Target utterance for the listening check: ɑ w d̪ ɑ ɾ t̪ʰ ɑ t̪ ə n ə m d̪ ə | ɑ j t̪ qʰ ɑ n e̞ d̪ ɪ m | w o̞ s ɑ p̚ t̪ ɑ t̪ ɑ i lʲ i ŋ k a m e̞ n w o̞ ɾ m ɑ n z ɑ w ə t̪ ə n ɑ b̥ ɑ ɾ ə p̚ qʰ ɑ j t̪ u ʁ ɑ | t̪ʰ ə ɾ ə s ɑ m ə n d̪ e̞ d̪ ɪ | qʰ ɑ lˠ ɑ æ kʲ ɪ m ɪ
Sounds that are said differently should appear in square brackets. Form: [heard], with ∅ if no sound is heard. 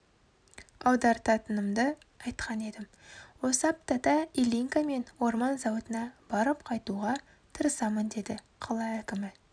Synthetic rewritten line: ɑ w d̪ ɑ ɾ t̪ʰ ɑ t̪ ə n ə m d̪ ə | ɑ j t̪ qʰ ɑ n e̞ d̪ ɪ m | w o̞ s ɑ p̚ t̪ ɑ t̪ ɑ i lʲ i ŋ k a m e̞ n w o̞ ɾ m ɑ n z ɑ w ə t̪ ə n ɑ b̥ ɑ ɾ ə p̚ qʰ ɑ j t̪ u ʁ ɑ | t̪ʰ ə ɾ ə s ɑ m ə n d̪ e̞ d̪ ɪ | qʰ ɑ lˠ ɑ æ kʲ ɪ m ɪ